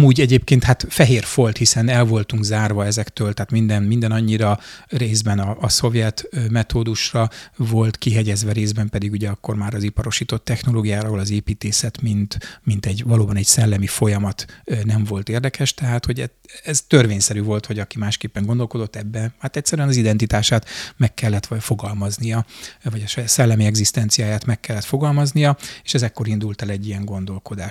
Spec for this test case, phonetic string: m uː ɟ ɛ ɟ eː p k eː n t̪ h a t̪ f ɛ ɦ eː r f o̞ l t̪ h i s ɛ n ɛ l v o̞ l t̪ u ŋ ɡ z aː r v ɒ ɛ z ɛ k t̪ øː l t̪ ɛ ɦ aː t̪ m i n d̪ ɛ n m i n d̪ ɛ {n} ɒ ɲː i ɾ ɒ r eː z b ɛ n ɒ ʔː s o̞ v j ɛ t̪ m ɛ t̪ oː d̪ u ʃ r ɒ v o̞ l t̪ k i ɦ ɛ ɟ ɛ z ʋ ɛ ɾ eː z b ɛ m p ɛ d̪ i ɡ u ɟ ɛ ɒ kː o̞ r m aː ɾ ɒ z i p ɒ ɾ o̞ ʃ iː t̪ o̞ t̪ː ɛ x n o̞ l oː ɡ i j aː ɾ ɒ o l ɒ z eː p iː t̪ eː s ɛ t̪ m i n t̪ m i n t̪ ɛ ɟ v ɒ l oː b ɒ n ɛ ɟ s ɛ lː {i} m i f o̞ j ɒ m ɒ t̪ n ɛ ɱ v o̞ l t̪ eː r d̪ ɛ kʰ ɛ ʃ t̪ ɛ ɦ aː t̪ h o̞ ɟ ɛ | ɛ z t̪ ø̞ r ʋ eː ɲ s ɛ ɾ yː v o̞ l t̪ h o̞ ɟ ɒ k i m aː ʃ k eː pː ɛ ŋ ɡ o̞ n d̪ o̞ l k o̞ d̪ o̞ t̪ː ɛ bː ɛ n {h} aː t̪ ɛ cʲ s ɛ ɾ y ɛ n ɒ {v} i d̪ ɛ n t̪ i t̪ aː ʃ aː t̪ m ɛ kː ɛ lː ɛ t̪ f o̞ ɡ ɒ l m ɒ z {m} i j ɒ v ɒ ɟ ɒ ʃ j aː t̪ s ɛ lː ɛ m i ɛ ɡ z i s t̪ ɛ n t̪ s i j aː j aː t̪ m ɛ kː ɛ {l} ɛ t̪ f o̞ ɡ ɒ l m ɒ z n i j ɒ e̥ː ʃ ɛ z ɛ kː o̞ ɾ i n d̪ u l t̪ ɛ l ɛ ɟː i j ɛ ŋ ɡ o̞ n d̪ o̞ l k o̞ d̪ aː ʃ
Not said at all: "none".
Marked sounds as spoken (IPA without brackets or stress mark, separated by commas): n, ɛ, h, z, n, lː